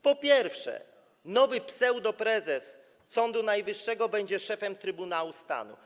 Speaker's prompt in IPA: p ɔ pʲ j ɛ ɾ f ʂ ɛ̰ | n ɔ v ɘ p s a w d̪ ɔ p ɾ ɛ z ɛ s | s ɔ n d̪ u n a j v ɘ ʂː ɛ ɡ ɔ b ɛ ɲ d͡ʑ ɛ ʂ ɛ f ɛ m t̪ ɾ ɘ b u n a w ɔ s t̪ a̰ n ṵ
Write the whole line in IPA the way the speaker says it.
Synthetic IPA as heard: p ɔ pʲ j ɛ ɾ f ʂ ɛ̰ | n ɔ v ɘ p s ɛ w d̪ ɔ p ɾ ɛ z ɛ s | s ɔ n d̪ u n a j v ɘ ʂː ɛ ɡ ɔ b ɛ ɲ d͡ʑ ɛ ʂ ɛ f ɛ m t̪ ɾ ɘ b u n a w u s t̪ a̰ n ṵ